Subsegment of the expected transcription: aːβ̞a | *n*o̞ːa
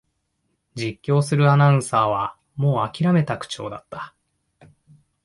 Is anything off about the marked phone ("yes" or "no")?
yes